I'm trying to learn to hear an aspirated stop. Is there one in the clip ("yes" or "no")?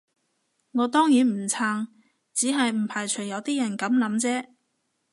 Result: yes